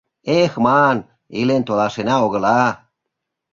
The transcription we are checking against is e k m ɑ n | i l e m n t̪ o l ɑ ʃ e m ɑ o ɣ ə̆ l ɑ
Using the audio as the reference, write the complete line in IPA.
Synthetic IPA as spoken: e x m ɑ n | i l e n t̪ o l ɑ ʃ e n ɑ o ɣ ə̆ l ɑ

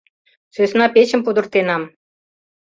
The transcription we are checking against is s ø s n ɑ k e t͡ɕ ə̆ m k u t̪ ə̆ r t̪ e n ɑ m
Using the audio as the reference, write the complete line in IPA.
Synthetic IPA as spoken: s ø s n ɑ p e t͡ɕ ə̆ m p u d̪ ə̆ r t̪ e n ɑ m

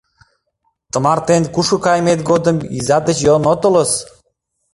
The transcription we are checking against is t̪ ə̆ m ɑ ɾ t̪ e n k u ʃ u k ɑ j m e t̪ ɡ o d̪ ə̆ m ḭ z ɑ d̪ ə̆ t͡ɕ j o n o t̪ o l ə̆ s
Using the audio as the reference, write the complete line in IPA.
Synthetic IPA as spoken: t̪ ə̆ m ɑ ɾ t̪ e n k u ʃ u k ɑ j m e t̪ ɡ o d̪ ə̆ m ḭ z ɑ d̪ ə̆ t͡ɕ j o n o t̪ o l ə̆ s

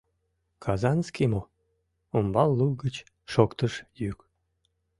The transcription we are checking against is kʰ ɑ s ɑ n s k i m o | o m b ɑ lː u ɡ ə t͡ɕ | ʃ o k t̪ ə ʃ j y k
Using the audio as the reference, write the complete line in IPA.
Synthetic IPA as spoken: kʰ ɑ z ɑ n s k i m o | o m b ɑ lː u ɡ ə t͡ɕ | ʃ o k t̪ ə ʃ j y k

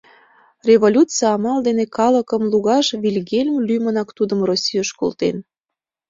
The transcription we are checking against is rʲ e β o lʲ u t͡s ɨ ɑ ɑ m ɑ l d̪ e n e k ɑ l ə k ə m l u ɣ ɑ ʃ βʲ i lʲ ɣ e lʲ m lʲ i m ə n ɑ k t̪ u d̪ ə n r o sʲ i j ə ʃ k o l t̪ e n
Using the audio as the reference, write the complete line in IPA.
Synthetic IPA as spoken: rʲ e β o lʲ u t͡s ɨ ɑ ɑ m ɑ l d̪ e n e k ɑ l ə k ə m l u ɣ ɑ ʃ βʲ i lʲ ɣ e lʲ m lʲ y m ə n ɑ k t̪ u d̪ ə m r o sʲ i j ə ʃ k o l t̪ e n

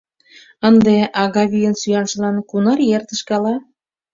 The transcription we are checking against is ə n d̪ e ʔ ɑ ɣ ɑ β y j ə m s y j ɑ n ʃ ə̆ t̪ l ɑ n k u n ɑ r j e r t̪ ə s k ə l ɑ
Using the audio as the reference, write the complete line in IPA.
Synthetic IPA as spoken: ə n d̪ e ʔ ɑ ɣ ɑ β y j ə n s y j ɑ n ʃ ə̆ l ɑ n k u n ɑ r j e r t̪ ə ʃ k ɑ l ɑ

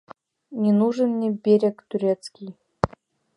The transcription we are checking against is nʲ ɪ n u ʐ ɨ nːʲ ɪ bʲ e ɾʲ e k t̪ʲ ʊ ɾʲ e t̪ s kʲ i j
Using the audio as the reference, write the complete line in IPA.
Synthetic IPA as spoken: nʲ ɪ n u ʐ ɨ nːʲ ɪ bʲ e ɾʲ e k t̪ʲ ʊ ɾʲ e t̪ s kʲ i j

